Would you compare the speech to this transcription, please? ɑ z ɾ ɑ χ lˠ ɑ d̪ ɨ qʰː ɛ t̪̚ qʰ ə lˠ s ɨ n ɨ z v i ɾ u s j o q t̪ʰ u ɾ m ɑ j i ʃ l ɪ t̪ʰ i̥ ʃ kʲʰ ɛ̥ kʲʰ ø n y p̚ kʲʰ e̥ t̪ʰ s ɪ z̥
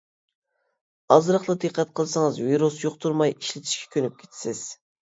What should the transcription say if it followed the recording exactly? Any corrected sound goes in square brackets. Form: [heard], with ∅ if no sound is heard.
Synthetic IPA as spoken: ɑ z ɾ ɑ χ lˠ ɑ d̪ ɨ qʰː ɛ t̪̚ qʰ ə lˠ s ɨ [ŋ] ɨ z v i ɾ u s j o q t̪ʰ u ɾ m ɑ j i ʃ l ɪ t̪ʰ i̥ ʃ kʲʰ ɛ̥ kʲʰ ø n y p̚ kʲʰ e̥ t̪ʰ s ɪ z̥